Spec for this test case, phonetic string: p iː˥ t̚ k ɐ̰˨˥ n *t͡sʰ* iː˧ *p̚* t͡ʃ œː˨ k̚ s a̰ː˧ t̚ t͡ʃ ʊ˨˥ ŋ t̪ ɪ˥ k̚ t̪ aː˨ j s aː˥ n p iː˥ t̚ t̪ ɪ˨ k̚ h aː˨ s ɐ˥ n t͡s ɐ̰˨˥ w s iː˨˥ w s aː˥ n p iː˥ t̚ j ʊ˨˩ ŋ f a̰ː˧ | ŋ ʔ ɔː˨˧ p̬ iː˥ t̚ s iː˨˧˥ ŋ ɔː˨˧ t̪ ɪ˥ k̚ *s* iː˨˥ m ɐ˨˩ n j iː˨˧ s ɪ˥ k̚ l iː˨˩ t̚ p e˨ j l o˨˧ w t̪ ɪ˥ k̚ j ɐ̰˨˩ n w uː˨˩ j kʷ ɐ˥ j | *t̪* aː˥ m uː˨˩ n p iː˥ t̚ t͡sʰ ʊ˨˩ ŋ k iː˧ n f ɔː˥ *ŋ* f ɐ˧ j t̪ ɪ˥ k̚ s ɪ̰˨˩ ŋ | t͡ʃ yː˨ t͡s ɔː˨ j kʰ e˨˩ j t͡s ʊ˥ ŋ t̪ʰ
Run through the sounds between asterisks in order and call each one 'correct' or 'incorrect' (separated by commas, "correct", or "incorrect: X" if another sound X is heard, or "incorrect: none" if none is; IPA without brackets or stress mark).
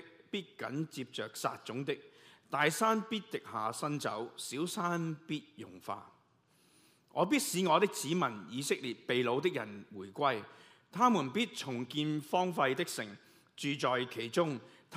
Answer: incorrect: t͡s, correct, incorrect: t͡s, incorrect: t̪ʰ, correct